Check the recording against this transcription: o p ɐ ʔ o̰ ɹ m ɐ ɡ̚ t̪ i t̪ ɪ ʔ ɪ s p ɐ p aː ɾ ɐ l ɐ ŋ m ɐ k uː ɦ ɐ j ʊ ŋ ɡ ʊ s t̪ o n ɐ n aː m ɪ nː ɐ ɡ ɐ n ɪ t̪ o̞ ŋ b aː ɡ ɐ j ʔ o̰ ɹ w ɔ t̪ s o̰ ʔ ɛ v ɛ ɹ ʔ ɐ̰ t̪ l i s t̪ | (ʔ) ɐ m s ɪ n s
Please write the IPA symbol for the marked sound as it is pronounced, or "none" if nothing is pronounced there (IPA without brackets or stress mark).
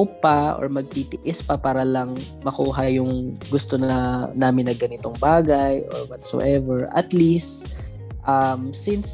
ʔ